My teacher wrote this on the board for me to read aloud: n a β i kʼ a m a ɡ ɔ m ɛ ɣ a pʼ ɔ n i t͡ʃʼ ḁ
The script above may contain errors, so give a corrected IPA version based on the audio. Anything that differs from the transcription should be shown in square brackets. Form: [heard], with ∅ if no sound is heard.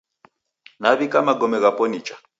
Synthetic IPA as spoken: n a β i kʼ a m a ɡ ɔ m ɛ ɣ a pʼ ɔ n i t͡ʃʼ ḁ